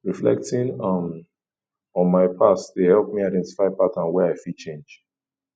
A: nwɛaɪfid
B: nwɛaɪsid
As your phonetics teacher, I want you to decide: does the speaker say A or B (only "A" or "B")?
A